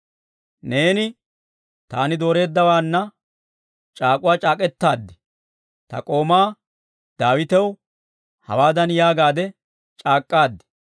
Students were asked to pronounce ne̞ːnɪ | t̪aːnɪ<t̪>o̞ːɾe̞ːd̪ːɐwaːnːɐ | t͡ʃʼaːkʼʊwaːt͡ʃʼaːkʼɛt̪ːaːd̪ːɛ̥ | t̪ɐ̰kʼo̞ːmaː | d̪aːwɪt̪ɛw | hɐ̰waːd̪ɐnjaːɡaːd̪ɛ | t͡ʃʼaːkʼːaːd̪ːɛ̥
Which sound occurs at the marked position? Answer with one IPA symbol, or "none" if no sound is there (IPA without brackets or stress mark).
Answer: d̪